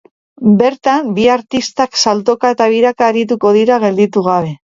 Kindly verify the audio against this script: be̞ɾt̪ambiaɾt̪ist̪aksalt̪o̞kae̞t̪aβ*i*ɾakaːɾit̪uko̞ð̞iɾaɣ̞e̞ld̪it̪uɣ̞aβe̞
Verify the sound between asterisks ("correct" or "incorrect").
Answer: correct